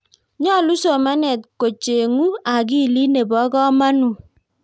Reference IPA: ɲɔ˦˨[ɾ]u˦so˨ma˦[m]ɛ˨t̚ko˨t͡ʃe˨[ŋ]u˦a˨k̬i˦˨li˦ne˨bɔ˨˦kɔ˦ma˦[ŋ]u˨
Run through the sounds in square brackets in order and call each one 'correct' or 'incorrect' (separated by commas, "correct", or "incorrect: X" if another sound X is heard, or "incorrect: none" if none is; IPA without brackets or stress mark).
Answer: incorrect: l, incorrect: n, correct, incorrect: n